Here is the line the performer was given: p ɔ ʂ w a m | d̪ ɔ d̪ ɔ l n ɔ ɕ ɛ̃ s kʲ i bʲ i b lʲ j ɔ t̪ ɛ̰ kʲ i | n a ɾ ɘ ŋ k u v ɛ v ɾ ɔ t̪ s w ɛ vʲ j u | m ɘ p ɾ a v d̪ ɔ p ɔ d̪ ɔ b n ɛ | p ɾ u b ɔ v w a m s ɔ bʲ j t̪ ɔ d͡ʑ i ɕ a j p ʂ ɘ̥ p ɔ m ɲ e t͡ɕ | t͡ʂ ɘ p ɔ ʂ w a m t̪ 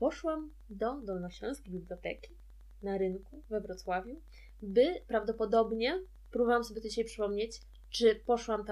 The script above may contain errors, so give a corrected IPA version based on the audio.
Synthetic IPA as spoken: p ɔ ʂ w a m | d̪ ɔ d̪ ɔ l n ɔ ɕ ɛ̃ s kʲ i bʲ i b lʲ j ɔ t̪ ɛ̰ kʲ i | n a ɾ ɘ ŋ k u v ɛ v ɾ ɔ t̪ s w a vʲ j u | b ɘ p ɾ a v d̪ ɔ p ɔ d̪ ɔ b ɲ ɛ | p ɾ u b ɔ v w a m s ɔ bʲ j t̪ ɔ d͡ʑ i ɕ a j p ʂ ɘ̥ p ɔ m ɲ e t͡ɕ | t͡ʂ ɘ p ɔ ʂ w a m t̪